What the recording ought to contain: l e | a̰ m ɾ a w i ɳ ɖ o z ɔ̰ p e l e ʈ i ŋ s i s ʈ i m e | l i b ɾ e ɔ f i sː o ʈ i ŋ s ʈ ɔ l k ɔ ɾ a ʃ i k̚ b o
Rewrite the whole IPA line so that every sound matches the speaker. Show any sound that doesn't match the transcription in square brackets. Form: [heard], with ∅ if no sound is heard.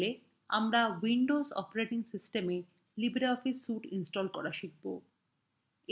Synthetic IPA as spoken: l e | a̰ m ɾ a w i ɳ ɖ o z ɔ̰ p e [ɾ] e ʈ i ŋ s i s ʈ [e] m e | l i b ɾ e ɔ f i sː [u] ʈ i [n] s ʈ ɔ l k ɔ ɾ a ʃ i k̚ b o